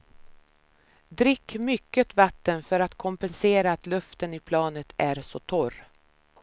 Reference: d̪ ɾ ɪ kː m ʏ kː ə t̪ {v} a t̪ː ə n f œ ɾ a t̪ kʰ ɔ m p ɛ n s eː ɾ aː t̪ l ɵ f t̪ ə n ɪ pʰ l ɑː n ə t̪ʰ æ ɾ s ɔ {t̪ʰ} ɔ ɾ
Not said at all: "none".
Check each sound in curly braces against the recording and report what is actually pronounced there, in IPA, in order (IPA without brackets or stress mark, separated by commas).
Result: v, t̪ʰ